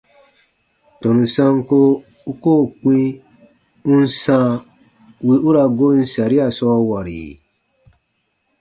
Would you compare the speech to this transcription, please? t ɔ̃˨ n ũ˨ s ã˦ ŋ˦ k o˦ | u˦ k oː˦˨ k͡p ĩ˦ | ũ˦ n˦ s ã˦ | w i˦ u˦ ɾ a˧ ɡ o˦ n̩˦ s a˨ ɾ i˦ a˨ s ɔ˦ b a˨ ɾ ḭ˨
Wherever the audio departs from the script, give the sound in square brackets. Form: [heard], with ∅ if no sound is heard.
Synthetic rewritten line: t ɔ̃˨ n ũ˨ s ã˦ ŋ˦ k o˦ | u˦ k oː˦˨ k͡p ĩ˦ | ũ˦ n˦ s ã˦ | w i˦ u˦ ɾ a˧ ɡ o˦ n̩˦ s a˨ ɾ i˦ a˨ s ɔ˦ [w] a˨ ɾ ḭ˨

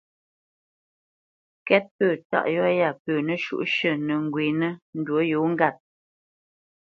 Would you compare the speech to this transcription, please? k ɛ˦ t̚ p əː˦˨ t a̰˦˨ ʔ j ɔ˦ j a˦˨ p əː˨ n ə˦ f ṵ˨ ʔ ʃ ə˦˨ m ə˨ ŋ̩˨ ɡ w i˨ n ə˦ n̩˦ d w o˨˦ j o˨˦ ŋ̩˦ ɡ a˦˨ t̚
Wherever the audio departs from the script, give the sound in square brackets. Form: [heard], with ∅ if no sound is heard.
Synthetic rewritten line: k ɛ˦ t̚ p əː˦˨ t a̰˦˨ ʔ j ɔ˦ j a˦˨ p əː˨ n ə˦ [ʃ] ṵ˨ ʔ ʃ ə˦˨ [n] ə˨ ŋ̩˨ ɡ w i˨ n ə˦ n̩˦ d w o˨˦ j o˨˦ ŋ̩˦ ɡ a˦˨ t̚

